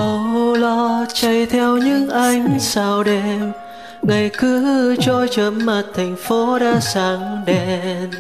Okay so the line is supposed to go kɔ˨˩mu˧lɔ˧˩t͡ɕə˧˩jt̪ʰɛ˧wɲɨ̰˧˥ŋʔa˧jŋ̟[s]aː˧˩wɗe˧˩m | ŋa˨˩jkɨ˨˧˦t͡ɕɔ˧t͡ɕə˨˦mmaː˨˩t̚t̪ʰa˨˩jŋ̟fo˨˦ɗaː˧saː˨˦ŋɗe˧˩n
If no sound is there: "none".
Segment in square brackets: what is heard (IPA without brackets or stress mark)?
s